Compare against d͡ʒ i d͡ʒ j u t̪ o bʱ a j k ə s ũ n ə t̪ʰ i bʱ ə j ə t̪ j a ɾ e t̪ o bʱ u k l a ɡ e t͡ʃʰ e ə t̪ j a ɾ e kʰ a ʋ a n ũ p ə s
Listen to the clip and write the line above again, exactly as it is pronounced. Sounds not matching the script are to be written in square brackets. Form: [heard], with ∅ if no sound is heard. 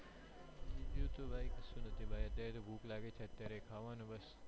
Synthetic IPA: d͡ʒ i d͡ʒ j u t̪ o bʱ a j k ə s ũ n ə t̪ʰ i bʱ [a] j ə t̪ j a ɾ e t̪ o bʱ u k l a ɡ e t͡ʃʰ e ə t̪ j a ɾ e kʰ a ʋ a n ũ [b] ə s